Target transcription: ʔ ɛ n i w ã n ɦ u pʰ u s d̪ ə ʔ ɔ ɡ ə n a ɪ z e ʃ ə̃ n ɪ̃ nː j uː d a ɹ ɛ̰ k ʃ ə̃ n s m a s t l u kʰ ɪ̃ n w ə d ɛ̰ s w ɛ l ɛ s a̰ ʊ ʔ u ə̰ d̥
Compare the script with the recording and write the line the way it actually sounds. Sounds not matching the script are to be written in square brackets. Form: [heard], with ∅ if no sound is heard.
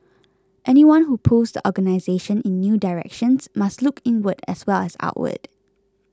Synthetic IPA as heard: ʔ ɛ n i w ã n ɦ u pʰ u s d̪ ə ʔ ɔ ɡ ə n a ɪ z e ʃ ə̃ n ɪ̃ nː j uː d a ɹ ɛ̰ k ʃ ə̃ n s m a s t l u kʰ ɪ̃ n w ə d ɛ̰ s w ɛ l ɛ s a̰ ʊ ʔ [w] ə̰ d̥